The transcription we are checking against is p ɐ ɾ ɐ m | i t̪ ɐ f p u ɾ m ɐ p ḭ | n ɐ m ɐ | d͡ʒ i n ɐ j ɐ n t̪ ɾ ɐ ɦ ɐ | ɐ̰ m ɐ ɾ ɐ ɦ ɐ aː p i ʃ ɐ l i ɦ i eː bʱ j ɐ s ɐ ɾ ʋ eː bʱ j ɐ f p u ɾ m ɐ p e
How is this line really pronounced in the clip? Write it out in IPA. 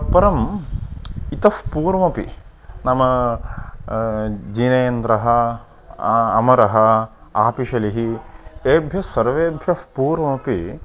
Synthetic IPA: p ɐ ɾ ɐ m | i t̪ ɐ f p uː ɾ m ɐ p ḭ | n ɐ m ɐ | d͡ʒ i n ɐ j ɐ n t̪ ɾ ɐ ɦ ɐ | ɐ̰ m ɐ ɾ ɐ ɦ ɐ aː p i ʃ ɐ l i ɦ i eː bʱ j ɐ s ɐ ɾ ʋ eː bʱ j ɐ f p uː ɾ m ɐ p i